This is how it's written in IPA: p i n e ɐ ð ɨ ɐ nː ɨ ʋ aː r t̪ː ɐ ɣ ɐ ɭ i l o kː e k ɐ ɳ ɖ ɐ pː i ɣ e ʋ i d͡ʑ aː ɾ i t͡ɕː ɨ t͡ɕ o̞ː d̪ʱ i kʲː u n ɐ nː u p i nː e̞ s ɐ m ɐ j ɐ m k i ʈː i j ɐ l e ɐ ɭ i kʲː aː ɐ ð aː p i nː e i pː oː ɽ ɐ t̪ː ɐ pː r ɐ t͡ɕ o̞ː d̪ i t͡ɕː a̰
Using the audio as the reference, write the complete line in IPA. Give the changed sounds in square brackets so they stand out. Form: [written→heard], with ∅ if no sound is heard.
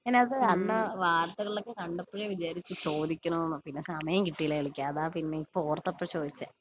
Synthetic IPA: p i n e ɐ ð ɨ ɐ nː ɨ ʋ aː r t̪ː ɐ ɣ ɐ ɭ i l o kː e k ɐ ɳ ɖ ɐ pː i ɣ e ʋ i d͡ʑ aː ɾ i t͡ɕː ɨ t͡ɕ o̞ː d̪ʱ i kʲː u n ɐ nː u p i nː e̞ s ɐ m ɐ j ɐ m k i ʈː i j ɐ l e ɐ ɭ i kʲː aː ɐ ð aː p i nː e i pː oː [ɽ→r] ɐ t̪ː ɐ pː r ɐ t͡ɕ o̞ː d̪ i t͡ɕː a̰